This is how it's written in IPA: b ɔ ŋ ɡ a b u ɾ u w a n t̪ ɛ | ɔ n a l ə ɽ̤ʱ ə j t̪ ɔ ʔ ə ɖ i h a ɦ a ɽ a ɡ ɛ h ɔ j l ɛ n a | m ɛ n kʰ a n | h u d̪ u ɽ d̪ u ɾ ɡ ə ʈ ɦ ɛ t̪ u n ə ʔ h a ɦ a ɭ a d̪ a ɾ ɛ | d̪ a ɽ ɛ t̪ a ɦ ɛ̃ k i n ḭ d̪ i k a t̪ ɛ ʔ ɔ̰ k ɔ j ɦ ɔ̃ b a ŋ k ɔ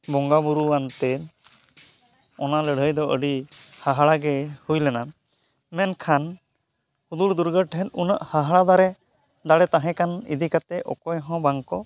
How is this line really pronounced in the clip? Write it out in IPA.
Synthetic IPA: b ɔ ŋ ɡ a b u ɾ u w a n t̪ ɛ | ɔ n a l ə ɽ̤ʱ ə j d̪ ɔ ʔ ə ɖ i h a ɦ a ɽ a ɡ ɛ h u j l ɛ n a | m ɛ n kʰ a n | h u d̪ u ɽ d̪ u ɾ ɡ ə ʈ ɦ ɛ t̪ u n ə ʔ h a ɦ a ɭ a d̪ a ɾ ɛ | d̪ a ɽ ɛ t̪ a ɦ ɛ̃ k a n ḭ d̪ i k a t̪ ɛ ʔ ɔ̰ k ɔ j ɦ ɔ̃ b a ŋ k ɔ